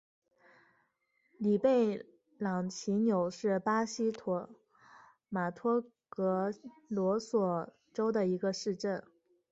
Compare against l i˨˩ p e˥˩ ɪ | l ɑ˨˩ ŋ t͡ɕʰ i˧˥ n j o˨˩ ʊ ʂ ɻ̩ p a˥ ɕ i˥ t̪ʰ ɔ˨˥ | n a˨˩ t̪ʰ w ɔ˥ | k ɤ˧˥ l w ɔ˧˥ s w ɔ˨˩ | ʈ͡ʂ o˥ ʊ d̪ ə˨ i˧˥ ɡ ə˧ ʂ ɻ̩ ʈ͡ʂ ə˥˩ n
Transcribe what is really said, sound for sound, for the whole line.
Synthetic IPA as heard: l i˨˩ p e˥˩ ɪ | l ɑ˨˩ ŋ t͡ɕʰ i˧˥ n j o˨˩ ʊ ʂ ɻ̩ p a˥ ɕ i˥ t̪ʰ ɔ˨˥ | m a˨˩ t̪ʰ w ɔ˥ | k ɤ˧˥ l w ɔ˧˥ s w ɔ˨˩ | ʈ͡ʂ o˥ ʊ d̪ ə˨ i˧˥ ɡ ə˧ ʂ ɻ̩ ʈ͡ʂ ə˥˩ n

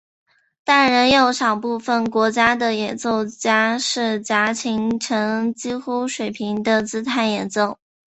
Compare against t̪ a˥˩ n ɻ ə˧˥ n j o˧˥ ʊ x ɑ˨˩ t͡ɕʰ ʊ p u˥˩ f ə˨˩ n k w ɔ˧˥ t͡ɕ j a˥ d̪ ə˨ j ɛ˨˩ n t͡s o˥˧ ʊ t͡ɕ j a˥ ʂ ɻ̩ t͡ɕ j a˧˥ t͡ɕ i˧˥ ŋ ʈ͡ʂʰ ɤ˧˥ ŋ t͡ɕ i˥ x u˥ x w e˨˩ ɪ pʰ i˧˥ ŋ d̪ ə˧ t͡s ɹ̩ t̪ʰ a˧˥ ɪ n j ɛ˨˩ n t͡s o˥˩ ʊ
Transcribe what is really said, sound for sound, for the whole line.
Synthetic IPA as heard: t̪ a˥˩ n ɻ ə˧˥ n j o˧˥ ʊ ʂ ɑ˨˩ ʊ p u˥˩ f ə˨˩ n k w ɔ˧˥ t͡ɕ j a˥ d̪ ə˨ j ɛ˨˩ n t͡s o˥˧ ʊ t͡ɕ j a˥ ʂ ɻ̩ t͡ɕ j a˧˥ t͡ɕʰ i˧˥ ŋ ʈ͡ʂʰ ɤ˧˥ ŋ t͡ɕ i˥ x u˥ ʂ w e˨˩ ɪ pʰ i˧˥ ŋ d̪ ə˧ t͡s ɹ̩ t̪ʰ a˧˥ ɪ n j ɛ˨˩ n t͡s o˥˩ ʊ

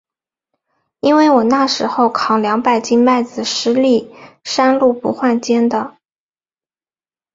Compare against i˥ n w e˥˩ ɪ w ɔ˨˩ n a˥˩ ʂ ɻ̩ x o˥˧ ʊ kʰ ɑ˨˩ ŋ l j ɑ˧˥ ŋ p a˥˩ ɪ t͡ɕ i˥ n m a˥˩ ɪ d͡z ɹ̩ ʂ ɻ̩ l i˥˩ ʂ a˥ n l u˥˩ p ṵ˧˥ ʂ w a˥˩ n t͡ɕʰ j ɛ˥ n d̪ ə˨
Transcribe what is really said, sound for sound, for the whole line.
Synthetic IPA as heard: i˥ n w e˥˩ ɪ w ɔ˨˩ n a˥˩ ʂ ɻ̩ x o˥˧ ʊ kʰ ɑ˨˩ ŋ l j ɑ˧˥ ŋ p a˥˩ ɪ t͡ɕ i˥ n m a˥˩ ɪ d͡z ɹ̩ ʂ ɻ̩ l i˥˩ ʂ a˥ n l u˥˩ p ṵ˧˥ x w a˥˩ n t͡ɕ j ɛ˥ n d̪ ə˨

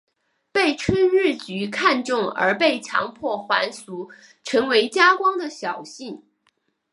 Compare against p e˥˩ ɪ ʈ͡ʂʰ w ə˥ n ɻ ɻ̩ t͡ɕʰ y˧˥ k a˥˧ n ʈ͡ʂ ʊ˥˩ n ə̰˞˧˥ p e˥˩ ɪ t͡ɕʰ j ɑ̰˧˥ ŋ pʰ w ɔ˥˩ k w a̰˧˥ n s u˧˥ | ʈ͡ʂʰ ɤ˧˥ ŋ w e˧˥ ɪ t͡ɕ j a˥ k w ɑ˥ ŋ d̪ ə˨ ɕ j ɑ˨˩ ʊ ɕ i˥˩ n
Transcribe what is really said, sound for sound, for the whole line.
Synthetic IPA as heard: p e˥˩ ɪ ʈ͡ʂʰ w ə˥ n ɻ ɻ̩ t͡ɕ y˧˥ kʰ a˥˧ n ʈ͡ʂ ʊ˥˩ ŋ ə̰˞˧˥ p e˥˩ ɪ t͡ɕʰ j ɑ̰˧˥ ŋ pʰ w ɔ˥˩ x w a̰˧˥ n s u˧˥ | ʈ͡ʂʰ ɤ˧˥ ŋ w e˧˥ ɪ t͡ɕ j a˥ k w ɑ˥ ŋ d̪ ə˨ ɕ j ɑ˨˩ ʊ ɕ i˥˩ n

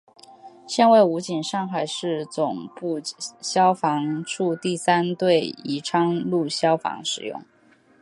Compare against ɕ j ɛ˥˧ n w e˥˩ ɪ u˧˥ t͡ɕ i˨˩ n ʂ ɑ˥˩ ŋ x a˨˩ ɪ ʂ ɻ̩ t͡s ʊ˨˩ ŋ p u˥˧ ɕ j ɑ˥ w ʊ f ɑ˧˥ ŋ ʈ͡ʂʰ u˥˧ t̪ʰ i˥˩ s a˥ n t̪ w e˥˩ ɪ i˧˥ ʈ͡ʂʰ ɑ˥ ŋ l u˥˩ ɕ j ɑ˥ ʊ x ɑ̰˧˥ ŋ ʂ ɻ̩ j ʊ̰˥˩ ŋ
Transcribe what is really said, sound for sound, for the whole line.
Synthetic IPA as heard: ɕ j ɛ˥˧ n w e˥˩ ɪ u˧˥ t͡ɕ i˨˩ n ʂ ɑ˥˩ ŋ x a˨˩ ɪ ʂ ɻ̩ t͡s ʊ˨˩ ŋ p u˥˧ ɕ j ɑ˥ ʊ f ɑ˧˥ ŋ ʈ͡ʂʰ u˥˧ t̪ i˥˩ s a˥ n t̪ w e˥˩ ɪ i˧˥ ʈ͡ʂʰ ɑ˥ ŋ l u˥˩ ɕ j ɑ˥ ʊ f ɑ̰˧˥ ŋ ʂ ɻ̩ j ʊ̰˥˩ ŋ

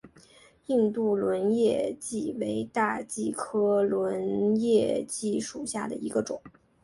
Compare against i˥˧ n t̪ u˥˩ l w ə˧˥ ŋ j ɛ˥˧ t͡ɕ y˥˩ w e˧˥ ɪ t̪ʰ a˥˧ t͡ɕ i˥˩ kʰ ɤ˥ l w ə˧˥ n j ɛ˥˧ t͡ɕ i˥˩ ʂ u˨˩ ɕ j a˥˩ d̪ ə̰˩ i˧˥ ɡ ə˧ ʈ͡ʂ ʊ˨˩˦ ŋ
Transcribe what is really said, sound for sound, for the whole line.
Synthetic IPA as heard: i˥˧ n t̪ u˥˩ l w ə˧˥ n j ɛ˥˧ t͡ɕ i˥˩ w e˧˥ ɪ t̪ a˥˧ t͡ɕ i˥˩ kʰ ɤ˥ l w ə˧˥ n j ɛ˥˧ t͡ɕ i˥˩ ʂ u˨˩ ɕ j a˥˩ d̪ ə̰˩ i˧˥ ɡ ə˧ ʈ͡ʂ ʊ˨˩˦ ŋ

